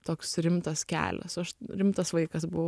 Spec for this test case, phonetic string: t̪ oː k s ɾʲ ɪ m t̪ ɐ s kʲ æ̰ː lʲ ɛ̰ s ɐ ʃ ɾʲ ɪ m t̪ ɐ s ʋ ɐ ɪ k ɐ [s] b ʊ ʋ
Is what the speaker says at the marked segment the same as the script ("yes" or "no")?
yes